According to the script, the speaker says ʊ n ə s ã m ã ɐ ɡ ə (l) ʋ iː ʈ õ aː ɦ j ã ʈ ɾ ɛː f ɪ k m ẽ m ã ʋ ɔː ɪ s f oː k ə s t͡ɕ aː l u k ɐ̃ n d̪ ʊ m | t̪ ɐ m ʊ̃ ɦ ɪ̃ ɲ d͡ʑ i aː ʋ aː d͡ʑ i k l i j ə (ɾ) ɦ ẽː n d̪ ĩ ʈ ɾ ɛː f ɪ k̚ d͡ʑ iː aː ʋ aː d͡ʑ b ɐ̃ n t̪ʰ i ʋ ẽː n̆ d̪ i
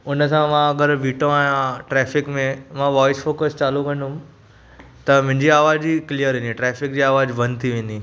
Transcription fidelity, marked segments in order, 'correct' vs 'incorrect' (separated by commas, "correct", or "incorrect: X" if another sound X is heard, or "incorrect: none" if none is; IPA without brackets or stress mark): incorrect: ɾ, correct